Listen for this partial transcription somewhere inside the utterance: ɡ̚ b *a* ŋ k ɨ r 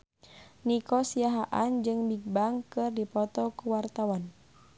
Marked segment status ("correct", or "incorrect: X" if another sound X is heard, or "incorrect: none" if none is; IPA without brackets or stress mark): correct